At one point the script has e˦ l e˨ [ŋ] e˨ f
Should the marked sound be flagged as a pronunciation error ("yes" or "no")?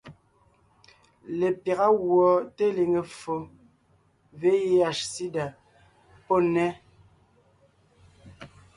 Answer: no